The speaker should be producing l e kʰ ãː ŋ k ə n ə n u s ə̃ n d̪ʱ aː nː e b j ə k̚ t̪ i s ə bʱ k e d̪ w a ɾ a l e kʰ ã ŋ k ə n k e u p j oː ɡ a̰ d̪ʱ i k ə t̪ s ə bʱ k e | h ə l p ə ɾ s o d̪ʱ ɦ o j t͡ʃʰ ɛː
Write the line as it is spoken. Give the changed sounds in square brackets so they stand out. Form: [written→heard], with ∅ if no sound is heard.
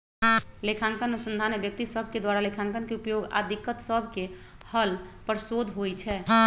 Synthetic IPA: l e kʰ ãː ŋ k ə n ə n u s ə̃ n d̪ʱ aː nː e b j ə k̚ t̪ i s ə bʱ k e d̪ w a ɾ a l e kʰ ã ŋ k ə n k e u p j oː ɡ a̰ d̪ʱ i k ə t̪ s ə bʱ k e | h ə l p ə ɾ s o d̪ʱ ɦ o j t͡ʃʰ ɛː